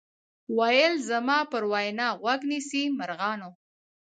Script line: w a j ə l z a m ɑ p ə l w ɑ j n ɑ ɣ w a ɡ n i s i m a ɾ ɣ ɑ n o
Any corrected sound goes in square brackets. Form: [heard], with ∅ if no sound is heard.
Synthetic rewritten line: w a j ə l z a m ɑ p ə [ɾ] w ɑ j n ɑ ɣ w a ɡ n i s i m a ɾ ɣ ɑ n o

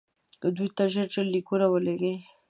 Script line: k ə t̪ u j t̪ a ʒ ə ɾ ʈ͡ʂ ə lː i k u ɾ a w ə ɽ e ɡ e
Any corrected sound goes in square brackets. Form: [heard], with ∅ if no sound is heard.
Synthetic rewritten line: k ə [d̪] u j t̪ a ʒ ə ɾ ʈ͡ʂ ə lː i k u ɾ a w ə [l] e ɡ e

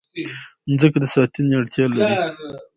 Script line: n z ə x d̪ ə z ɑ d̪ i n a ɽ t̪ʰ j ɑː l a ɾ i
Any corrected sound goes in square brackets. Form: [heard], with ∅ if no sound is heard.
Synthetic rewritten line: n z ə [k] d̪ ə [s] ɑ [t̪] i n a ɽ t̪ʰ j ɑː l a ɾ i

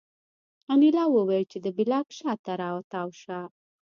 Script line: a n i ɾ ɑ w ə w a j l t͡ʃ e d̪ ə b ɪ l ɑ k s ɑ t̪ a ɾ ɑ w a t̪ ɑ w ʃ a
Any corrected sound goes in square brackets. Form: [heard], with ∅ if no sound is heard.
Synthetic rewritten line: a n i [l] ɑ w ə w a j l t͡ʃ e d̪ ə b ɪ l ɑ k [ʃ] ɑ t̪ a ɾ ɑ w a t̪ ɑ w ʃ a

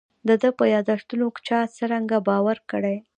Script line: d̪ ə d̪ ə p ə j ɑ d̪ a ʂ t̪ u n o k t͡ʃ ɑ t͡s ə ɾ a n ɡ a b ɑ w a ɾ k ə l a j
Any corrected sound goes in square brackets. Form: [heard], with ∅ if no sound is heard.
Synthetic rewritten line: d̪ ə d̪ ə p ə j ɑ d̪ a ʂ t̪ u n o k t͡ʃ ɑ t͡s ə ɾ a [ŋ] ɡ a b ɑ w a ɾ k ə [ɽ] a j

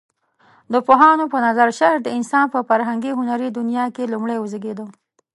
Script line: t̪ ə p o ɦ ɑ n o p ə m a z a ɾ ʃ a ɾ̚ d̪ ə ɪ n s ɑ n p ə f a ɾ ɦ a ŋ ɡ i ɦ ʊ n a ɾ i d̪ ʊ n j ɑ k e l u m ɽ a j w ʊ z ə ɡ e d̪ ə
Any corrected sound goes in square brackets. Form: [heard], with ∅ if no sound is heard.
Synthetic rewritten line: [d̪] ə p o ɦ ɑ n o p ə [n] a z a ɾ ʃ a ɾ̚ d̪ ə ɪ n s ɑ n p ə f a ɾ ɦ a ŋ ɡ i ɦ ʊ n a ɾ i d̪ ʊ n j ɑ k e l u m ɽ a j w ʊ z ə ɡ e d̪ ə

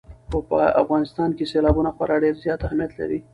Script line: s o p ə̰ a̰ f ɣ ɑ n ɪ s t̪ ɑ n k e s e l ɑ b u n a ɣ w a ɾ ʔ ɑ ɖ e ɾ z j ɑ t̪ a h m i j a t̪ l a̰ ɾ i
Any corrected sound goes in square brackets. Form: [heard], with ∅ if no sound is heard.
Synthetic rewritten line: [x] o p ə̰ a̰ f ɣ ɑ n ɪ s t̪ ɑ n k e s e l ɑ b u n a [x] w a ɾ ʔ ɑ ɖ e ɾ z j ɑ t̪ a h m i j a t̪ l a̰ ɾ i

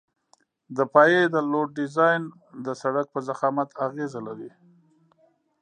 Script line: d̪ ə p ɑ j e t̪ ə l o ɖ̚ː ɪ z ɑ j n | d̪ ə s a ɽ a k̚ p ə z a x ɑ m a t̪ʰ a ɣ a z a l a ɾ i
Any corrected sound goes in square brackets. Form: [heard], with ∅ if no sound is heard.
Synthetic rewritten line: d̪ ə p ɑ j e [d̪] ə l o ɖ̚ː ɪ z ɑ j n | d̪ ə s a ɽ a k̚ p ə z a x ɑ m a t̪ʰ a ɣ [e] z a l a ɾ i

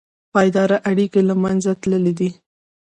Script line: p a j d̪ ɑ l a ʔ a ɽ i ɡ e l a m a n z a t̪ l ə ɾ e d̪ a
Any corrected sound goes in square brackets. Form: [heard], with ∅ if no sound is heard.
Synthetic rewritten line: p [ɑ] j d̪ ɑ [ɾ] a ʔ a ɽ i [k] e l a m a n z a t̪ l ə [l] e d̪ [i]

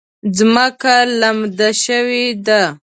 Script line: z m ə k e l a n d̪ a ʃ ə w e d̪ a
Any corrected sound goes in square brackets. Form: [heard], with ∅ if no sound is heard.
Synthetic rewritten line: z m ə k [a] l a [m] d̪ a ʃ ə w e d̪ a

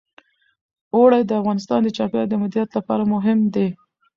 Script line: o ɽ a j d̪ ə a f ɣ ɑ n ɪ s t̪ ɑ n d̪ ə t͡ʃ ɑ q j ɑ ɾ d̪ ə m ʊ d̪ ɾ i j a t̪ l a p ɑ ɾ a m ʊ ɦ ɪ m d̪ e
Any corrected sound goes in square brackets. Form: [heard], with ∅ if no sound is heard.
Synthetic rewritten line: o ɽ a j d̪ ə a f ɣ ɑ n ɪ s t̪ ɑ n d̪ ə t͡ʃ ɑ [p] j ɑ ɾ d̪ ə m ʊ d̪ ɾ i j a t̪ l a p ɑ ɾ a m ʊ ɦ ɪ m d̪ e

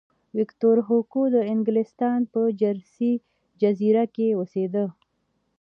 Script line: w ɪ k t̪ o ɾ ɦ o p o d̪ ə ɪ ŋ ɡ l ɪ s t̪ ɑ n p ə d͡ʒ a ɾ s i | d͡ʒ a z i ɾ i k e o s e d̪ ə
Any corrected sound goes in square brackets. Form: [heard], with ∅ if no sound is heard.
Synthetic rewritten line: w ɪ k t̪ o ɾ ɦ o [k] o d̪ ə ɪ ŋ ɡ l ɪ s t̪ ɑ n p ə d͡ʒ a ɾ s i | d͡ʒ a z i ɾ [a] k e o s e d̪ ə

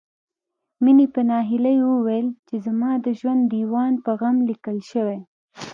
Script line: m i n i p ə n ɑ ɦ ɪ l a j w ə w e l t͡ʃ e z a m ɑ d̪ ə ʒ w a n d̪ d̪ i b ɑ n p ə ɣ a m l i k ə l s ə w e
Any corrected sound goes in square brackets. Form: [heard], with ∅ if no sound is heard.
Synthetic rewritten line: m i n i p ə n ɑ ɦ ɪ l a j w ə w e l t͡ʃ e z a m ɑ d̪ ə ʒ w a n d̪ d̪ i [w] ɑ n p ə ɣ a m l i k ə l [ʃ] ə w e

